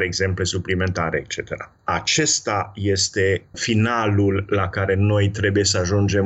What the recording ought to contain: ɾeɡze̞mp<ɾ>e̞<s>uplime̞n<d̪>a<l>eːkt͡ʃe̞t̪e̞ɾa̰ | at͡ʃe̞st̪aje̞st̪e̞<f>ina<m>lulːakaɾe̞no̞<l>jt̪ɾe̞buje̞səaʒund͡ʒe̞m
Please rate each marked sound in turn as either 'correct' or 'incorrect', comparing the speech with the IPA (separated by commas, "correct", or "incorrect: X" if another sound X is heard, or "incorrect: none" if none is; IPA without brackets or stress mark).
incorrect: l, correct, incorrect: t̪, incorrect: ɾ, correct, incorrect: none, incorrect: none